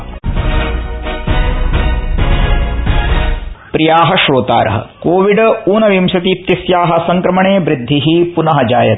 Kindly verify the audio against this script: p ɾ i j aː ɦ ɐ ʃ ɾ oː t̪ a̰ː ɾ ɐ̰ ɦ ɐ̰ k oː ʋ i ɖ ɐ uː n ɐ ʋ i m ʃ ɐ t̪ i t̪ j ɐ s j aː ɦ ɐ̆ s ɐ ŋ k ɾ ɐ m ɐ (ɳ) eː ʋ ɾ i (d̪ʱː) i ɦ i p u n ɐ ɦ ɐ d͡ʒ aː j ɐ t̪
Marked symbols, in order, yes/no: yes, yes

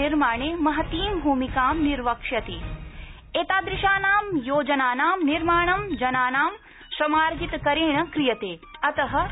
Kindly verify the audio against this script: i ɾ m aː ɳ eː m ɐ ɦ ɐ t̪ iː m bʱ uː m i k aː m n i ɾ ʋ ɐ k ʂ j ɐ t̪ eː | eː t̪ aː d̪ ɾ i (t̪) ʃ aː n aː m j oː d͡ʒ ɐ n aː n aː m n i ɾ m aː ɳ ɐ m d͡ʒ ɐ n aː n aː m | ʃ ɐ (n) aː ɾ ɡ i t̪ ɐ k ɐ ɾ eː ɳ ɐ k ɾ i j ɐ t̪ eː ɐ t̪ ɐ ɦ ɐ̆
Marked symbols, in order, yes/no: no, no

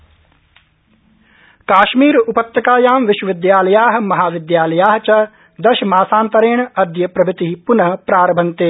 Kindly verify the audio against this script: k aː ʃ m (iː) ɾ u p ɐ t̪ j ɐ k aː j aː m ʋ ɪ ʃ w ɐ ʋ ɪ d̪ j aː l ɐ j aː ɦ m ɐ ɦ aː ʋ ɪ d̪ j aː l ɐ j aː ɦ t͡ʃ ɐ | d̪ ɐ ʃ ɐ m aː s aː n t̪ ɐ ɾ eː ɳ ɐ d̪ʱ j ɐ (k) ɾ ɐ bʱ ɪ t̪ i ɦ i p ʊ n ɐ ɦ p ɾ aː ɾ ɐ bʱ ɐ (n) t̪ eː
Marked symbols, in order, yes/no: yes, no, yes

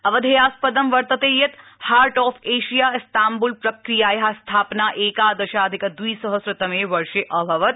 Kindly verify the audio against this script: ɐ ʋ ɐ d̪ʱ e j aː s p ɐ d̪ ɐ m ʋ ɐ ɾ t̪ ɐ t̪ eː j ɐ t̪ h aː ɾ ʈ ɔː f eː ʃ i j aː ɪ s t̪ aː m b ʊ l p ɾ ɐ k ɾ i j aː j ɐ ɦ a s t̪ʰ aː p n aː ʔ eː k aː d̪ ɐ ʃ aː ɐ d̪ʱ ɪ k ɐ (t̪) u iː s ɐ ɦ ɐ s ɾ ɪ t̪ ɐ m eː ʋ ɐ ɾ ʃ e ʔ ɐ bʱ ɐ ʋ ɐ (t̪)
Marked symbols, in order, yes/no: no, yes

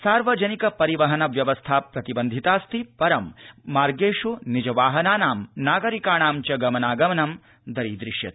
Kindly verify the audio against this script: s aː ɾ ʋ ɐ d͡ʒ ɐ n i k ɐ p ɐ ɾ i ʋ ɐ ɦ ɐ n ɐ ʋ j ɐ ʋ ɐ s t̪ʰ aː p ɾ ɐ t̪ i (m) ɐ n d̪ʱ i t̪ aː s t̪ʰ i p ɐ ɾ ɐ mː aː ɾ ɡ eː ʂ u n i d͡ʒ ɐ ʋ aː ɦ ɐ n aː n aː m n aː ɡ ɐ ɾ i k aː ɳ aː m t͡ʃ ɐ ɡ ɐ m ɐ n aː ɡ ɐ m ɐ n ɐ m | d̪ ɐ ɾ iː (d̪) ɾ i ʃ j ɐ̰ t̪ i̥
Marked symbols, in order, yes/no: no, yes

